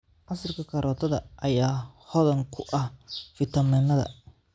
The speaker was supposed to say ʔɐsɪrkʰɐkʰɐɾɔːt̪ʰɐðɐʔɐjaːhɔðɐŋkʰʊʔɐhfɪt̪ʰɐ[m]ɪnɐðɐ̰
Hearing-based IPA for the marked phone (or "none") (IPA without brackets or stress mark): m